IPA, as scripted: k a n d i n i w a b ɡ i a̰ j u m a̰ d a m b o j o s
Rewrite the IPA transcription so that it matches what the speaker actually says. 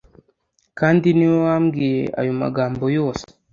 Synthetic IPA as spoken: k a n d i n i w a m ɡ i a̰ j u m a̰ ɡ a m b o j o s